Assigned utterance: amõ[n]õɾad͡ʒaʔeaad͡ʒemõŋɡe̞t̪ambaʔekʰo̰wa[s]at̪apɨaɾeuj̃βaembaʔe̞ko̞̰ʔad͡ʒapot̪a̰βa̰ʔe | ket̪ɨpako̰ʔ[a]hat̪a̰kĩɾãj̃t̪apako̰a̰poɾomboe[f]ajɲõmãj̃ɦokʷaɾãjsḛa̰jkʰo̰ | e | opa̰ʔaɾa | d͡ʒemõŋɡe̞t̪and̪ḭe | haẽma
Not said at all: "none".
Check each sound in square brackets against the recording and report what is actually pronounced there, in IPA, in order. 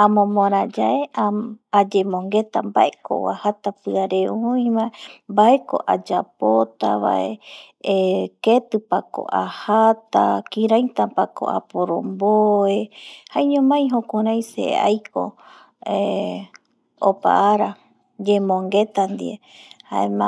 m, h, a, h

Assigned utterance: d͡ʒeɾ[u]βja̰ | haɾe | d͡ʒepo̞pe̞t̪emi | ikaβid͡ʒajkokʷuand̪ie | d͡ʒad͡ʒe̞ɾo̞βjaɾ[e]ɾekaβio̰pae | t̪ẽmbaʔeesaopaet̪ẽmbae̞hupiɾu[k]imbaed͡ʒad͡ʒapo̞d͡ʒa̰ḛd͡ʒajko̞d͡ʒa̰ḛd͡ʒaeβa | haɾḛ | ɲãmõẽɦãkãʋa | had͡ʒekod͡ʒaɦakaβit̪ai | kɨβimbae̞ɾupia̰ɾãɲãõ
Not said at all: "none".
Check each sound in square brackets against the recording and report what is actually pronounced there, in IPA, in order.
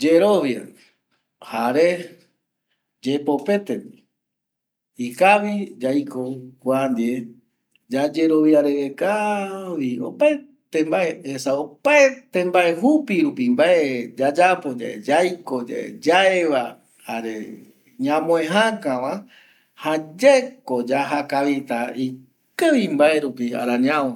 o, e, p

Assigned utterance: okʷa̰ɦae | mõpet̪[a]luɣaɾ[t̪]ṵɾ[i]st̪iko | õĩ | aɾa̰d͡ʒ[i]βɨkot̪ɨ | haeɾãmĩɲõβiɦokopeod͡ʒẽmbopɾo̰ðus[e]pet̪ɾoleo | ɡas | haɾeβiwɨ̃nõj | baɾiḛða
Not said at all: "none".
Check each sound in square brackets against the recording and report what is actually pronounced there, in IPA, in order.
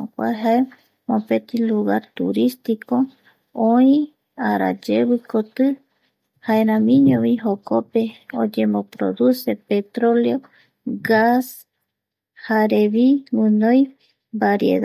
i, t̪, i, e, e

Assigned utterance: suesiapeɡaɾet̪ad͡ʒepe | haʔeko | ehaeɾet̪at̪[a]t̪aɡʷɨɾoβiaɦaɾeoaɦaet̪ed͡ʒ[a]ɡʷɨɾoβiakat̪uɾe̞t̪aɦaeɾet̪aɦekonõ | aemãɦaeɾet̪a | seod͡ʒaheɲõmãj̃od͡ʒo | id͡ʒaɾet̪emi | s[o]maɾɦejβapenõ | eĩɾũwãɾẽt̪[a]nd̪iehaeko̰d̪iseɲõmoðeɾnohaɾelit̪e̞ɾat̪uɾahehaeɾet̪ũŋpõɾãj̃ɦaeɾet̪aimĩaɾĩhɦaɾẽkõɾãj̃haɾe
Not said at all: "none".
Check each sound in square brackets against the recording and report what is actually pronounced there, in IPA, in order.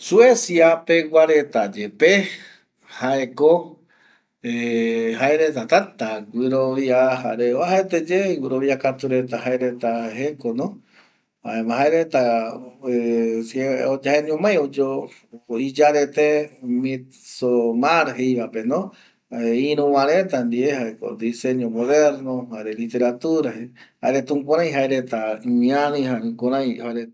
a, e, o, a

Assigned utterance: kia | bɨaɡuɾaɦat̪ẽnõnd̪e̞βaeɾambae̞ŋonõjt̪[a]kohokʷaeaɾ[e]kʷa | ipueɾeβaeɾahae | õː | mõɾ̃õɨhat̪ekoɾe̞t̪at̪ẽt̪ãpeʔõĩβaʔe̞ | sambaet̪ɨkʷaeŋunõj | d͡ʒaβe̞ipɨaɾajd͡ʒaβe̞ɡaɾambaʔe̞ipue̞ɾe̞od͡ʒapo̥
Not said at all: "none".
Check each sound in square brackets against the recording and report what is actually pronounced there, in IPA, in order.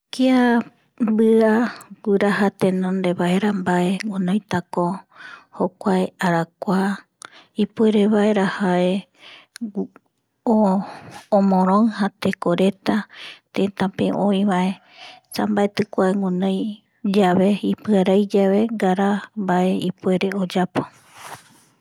a, a

